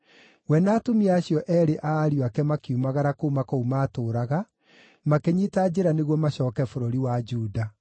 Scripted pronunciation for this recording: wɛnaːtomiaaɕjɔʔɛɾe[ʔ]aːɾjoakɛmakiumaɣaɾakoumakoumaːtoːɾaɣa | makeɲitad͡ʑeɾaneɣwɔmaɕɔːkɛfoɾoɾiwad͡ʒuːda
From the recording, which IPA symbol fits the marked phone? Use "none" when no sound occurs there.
ʔ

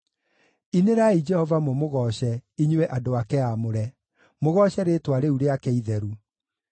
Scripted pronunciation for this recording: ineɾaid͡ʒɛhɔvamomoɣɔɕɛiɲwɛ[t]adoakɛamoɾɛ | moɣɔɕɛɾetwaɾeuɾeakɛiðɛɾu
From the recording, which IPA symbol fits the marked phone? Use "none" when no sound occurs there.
ʔ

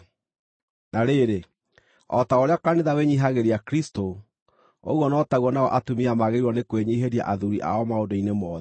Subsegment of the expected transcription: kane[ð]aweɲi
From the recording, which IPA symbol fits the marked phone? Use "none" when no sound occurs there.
ð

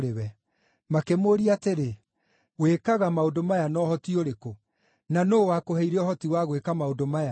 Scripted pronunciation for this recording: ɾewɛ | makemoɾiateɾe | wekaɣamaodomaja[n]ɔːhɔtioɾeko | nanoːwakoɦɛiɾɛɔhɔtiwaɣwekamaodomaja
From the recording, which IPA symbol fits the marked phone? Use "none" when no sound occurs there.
n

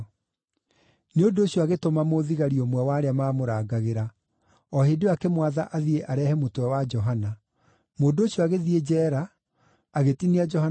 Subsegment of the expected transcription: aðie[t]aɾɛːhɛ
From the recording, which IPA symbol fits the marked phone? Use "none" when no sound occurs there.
ʔ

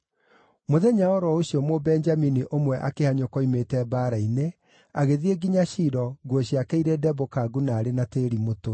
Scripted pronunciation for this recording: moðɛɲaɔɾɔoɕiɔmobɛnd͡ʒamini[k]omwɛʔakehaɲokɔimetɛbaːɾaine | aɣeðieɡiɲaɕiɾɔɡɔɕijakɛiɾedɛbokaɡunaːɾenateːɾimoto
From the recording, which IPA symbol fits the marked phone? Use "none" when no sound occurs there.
ʔ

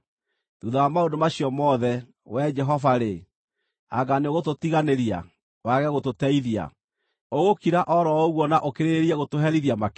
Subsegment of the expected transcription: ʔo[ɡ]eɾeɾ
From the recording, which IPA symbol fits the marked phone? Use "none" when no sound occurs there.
k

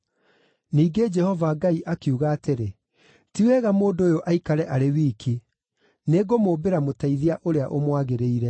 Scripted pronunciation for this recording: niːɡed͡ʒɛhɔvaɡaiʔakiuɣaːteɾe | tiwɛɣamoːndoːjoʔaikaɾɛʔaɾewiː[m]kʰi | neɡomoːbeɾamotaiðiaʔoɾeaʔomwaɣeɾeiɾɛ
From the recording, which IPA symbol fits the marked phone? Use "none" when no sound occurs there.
none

